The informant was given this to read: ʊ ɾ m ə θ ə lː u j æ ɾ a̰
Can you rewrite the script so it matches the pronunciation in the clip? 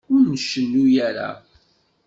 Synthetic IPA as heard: ʊ ɾ n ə ʃ ə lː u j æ ɾ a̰

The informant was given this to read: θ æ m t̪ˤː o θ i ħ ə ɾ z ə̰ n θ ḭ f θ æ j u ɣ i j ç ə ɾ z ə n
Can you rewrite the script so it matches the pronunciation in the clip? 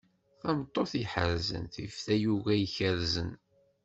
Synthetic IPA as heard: θ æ m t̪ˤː o θ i ħ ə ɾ z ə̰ n θ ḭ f θ æ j u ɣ æ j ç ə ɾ z ə n

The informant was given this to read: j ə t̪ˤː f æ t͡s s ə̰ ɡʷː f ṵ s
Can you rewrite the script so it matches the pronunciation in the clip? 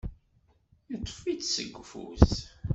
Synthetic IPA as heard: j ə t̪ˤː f i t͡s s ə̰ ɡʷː f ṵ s

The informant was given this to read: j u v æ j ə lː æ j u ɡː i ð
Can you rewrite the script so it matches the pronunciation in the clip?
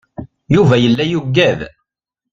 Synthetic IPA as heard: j u v æ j ə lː æ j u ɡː æ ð

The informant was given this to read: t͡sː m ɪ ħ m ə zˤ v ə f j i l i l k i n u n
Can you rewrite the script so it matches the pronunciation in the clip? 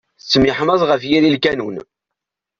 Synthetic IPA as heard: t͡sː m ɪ ħ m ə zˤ ʁ ə f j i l i l k æ n u n

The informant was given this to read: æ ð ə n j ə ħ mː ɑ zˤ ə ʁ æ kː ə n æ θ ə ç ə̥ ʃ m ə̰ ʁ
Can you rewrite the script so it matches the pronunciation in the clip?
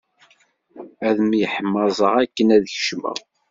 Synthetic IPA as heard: æ ð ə m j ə ħ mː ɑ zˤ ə ʁ æ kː ə n æ ð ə ç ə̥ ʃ m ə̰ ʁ

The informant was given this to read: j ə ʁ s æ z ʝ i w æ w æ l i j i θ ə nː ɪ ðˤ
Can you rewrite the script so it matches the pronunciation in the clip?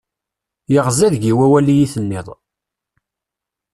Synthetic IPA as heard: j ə ʁ z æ ð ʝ i w æ w æ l i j i θ ə nː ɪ ðˤ

